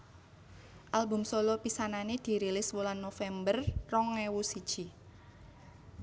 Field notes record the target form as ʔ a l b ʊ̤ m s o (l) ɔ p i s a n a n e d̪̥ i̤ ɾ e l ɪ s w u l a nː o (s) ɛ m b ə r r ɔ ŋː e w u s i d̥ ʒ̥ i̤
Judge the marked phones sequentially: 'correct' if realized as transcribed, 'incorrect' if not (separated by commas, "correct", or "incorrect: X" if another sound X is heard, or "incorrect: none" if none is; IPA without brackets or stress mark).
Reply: correct, incorrect: f